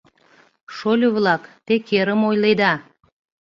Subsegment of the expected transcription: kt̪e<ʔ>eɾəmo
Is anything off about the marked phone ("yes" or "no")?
yes